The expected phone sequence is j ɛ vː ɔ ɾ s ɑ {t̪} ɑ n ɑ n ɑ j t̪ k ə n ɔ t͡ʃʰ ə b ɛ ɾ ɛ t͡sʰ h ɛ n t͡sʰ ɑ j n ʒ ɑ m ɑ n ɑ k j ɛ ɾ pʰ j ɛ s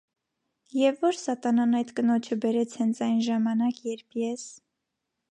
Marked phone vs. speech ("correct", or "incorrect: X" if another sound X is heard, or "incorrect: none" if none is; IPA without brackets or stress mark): correct